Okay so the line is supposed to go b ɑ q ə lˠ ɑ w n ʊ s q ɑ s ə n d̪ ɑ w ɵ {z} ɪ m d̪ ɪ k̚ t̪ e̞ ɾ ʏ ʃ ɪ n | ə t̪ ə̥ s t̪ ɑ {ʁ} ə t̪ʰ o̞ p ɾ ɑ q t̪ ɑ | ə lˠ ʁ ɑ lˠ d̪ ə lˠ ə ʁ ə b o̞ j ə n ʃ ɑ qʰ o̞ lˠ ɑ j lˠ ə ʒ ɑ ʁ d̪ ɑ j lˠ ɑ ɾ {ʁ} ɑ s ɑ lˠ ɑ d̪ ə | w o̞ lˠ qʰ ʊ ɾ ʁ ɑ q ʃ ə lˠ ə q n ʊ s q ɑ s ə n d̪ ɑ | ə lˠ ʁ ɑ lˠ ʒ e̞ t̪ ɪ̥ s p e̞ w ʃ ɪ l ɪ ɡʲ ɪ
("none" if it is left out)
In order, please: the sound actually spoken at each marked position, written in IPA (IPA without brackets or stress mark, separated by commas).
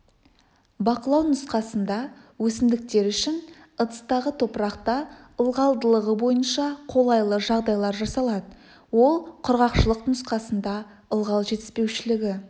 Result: s, ʁ, ʒ